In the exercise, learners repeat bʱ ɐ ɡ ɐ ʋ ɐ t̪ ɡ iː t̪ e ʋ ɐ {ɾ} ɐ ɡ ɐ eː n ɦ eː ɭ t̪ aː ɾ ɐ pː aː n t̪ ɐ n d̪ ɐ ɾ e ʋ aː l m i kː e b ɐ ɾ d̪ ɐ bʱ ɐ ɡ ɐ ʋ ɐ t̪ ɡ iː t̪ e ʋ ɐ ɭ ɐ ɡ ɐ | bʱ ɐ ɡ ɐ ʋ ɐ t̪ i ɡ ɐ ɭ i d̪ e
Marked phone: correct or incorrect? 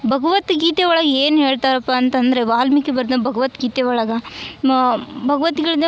incorrect